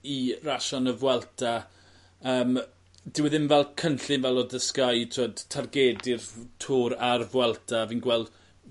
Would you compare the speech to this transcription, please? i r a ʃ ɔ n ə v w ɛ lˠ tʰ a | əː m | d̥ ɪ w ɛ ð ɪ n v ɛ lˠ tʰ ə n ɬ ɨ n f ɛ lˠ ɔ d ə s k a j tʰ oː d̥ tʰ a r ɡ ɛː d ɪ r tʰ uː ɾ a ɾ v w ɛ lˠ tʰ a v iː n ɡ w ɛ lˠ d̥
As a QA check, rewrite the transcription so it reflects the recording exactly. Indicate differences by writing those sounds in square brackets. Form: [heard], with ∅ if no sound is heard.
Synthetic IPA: i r a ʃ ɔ n ə v w ɛ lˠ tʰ a | əː m | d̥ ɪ w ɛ ð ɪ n v ɛ lˠ [kʰ] ə n ɬ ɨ n [v] ɛ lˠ ɔ d ə s k a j tʰ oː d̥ tʰ a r ɡ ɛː d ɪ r tʰ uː ɾ a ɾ v w ɛ lˠ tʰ a v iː n ɡ w ɛ lˠ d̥